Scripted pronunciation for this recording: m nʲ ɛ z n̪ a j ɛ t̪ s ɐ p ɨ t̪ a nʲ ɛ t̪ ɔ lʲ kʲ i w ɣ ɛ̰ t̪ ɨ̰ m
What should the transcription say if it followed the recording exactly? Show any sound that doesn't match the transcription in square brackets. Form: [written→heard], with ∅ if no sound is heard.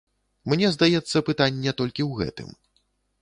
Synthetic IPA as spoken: m nʲ ɛ z [n̪→d̪] a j ɛ t̪ [s→sː] ɐ p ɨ t̪ a [nʲ→nʲː] ɛ t̪ ɔ lʲ kʲ i w ɣ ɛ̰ t̪ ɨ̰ m